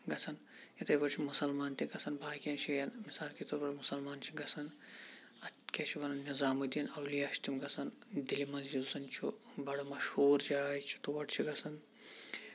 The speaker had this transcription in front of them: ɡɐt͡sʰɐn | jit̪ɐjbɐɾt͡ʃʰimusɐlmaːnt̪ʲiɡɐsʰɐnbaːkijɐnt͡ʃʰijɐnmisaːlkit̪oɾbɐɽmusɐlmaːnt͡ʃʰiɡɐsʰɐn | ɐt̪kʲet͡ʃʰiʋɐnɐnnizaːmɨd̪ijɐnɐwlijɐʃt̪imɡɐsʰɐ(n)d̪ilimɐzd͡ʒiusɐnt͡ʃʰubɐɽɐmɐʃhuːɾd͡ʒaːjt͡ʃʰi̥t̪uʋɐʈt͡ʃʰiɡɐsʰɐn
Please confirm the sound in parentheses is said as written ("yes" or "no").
yes